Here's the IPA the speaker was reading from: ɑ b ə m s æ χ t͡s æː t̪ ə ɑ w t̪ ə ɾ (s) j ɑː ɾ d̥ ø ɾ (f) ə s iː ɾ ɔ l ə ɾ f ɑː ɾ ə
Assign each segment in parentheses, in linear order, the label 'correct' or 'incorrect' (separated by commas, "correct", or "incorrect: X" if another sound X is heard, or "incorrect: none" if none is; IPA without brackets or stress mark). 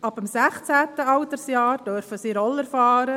correct, correct